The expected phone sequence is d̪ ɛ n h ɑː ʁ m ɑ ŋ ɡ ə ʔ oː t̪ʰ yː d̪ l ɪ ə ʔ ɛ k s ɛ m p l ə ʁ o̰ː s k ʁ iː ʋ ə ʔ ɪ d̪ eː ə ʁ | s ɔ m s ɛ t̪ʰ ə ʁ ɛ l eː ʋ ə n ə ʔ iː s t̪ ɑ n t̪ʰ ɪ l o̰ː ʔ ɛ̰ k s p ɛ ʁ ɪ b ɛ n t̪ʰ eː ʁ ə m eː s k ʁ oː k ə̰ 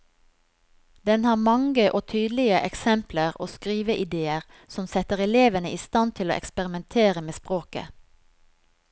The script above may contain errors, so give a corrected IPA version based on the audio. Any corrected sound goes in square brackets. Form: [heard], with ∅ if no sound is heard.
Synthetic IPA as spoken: d̪ ɛ n h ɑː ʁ m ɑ ŋ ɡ ə ʔ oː t̪ʰ yː d̪ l ɪ ə ʔ ɛ k s ɛ m p l ə ʁ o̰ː s k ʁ iː ʋ ə ʔ ɪ d̪ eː ə ʁ | s ɔ m s ɛ [t̪] ə ʁ ɛ l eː ʋ ə n ə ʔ iː s t̪ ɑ n t̪ʰ ɪ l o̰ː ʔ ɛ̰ k s p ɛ ʁ ɪ [m] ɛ n t̪ʰ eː ʁ ə m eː s [p] ʁ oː k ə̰